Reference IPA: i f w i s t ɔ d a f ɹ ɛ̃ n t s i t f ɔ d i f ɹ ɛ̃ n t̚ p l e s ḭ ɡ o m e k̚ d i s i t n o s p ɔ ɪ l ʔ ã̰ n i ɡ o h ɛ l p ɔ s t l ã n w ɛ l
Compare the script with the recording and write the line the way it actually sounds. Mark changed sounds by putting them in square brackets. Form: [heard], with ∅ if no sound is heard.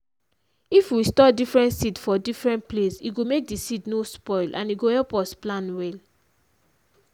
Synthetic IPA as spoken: i f w i s t ɔ d [i] f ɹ ɛ̃ n t s i t f ɔ d i f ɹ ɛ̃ n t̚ p l e s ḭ ɡ o m e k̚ d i s i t n o s p ɔ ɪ l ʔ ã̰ n i ɡ o h ɛ l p ɔ s [p] l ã n w ɛ l

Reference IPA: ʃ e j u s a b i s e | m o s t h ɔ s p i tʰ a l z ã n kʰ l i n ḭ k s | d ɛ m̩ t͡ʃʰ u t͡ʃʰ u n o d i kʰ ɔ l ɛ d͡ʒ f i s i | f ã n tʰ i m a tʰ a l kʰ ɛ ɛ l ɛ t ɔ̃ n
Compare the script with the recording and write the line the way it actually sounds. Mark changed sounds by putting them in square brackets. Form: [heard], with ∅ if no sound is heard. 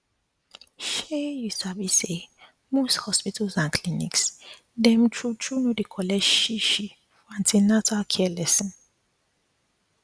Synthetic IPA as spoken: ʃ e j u s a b i s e | m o s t h ɔ s p i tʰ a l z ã n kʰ l i n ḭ k s | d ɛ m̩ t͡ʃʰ u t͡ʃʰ u n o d i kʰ ɔ l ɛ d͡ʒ [ʃ] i [ʃ] i | f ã n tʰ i [n] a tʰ a l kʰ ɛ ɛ l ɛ [s] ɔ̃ n

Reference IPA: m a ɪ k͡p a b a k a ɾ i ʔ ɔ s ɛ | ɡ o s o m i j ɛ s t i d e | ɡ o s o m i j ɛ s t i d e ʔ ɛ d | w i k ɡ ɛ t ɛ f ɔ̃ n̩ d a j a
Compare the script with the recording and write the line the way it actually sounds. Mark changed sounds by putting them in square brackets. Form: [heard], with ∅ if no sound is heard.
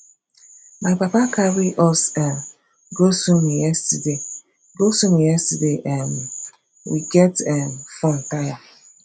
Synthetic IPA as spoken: m a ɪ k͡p a [p] a k a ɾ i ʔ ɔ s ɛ | ɡ o s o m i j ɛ s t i d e | ɡ o s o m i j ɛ s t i d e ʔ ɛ [n] | w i [∅] ɡ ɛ t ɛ f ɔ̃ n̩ [t] a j a

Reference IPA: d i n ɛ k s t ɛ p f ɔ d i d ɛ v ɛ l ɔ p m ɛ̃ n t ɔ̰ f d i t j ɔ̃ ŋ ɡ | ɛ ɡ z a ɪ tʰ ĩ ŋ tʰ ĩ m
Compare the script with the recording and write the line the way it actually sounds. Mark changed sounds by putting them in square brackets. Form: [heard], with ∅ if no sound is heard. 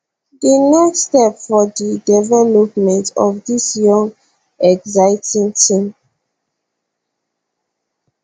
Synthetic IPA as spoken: d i n ɛ k s t ɛ p f ɔ d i d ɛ v ɛ l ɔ p m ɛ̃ n t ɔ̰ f d i [s] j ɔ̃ ŋ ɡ | ɛ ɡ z a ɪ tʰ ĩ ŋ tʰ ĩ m

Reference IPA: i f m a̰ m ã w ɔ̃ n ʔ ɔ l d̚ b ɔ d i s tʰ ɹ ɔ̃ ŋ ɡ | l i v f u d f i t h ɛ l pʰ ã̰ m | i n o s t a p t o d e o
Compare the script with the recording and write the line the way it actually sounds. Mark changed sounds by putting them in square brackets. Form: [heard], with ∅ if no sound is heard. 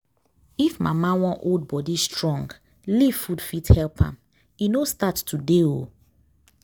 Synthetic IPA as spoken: i f m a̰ m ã w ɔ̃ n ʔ [o] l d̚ b ɔ d i s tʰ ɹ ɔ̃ ŋ ɡ | l i v f u d f i t h ɛ l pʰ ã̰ m | i n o s t a [t] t [u] d e o

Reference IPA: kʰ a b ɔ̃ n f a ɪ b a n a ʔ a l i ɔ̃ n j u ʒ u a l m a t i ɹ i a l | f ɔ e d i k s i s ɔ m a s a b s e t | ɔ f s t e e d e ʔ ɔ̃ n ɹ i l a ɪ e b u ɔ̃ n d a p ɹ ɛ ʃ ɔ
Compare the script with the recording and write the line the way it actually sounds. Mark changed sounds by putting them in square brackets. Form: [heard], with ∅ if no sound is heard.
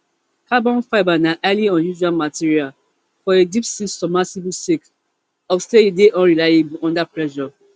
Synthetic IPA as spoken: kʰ a b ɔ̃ n f a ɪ b a n a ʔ a l i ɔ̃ n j u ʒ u a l m a t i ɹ i a l | f ɔ e d i [p] s i s ɔ m a s [i] b s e [k] | ɔ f s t e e d e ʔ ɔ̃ n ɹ i l a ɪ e b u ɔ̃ n d a p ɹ ɛ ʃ ɔ

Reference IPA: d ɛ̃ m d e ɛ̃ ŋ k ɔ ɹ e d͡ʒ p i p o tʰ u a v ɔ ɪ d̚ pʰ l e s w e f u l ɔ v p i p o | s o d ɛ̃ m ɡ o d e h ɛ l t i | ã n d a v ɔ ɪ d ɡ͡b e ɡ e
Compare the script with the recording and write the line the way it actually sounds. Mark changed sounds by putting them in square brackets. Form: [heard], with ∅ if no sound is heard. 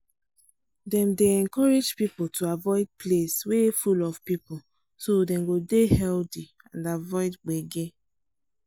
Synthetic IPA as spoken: d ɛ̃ m d e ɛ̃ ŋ k ɔ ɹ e d͡ʒ p i p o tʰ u a v ɔ ɪ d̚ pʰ l e s w e f u l ɔ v p i p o | s o d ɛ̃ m ɡ o d e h ɛ l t i | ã n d a v ɔ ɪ d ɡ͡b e ɡ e

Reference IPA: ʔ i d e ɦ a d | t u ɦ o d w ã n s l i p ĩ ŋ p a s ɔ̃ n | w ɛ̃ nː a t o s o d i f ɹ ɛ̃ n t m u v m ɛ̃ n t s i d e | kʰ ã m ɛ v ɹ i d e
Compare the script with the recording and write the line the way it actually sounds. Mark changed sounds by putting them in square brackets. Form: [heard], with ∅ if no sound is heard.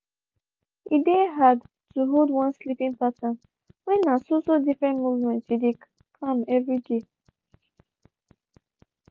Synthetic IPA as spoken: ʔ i d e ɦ a d | t u ɦ o d w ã n s l i p ĩ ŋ p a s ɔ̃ n | w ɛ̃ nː a [s] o s o d i f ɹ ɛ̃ n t m u v m ɛ̃ n t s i d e | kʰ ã m ɛ v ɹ i d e

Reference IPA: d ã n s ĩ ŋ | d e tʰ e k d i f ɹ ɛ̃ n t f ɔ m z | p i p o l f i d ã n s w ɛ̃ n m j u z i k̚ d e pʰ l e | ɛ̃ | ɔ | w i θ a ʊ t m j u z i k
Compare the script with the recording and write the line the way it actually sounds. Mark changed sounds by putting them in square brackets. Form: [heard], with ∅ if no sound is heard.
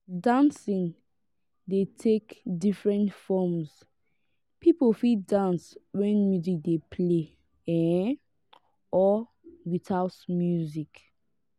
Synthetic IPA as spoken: d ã n s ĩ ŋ | d e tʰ e k d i f ɹ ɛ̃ n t f ɔ m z | p i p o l f i d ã n s w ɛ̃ n m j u z i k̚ d e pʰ l e | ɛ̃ | ɔ | w i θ a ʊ t m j u z i k

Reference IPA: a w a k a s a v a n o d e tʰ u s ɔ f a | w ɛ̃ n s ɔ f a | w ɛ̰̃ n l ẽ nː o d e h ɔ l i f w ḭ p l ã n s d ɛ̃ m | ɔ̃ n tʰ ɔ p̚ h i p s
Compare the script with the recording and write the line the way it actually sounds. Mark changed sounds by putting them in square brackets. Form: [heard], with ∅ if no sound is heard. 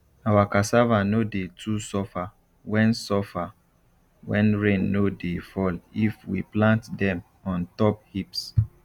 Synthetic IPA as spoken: a w a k a s a v a n o d e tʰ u s ɔ f a | w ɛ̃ n s ɔ f a | w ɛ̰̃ n [ɹ] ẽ nː o d e [f] ɔ l i f w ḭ p l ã n [t] d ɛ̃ m | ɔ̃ n [t] ɔ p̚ h i p s

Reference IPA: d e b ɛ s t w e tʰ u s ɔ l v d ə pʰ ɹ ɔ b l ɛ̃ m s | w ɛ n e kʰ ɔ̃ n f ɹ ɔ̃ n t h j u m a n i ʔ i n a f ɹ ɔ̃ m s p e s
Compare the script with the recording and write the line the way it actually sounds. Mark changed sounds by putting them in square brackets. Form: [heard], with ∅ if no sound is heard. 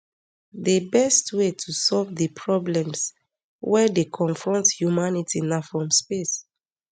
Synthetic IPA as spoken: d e b ɛ s t w e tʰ u s ɔ l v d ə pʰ ɹ ɔ b l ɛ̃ m s | w ɛ [d] e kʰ ɔ̃ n f ɹ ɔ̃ n t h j u m a n i [t] i n a f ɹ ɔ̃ m s p e s

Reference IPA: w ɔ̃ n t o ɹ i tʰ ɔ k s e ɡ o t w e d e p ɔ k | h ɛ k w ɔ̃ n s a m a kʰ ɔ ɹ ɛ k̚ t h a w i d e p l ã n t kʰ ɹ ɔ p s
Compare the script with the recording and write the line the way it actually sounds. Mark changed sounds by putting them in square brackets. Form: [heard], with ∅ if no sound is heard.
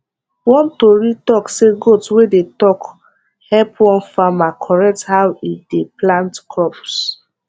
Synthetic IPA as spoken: w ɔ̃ n t o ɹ i [t] ɔ k s e ɡ o t w e d e [t] ɔ k | h ɛ [p] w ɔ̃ n [f] a m a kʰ ɔ ɹ ɛ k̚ t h a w i d e p l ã n t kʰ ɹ ɔ p s

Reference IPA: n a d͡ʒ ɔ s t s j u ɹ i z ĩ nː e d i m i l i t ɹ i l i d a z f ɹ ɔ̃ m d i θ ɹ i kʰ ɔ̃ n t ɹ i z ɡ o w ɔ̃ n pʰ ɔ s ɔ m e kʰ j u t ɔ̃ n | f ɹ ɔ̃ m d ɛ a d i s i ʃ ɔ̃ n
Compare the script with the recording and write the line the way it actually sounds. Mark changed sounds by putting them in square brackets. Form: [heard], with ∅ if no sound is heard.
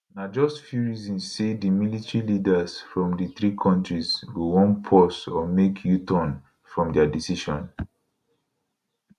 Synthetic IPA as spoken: n a d͡ʒ ɔ s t [f] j u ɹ i z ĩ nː e d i m i l i t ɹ i l i d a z f ɹ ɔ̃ m d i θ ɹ i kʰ ɔ̃ n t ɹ i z ɡ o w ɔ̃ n pʰ ɔ s ɔ m e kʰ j u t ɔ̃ n | f ɹ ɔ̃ m d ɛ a d i s i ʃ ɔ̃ n

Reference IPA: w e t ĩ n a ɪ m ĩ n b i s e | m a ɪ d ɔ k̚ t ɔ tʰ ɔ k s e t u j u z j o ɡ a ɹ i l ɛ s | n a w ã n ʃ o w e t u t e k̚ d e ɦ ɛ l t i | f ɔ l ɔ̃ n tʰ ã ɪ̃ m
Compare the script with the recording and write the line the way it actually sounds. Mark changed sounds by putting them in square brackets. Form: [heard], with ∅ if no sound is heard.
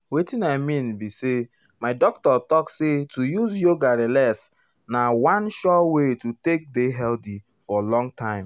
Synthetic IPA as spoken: w e t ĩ n a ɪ m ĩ n b i s e | m a ɪ d ɔ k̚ t ɔ [t] ɔ k s e t u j u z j o ɡ a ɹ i l ɛ s | n a w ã n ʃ [ɔ] w e t u t e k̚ d e ɦ ɛ l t i | f ɔ l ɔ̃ [ŋ] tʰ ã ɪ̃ m

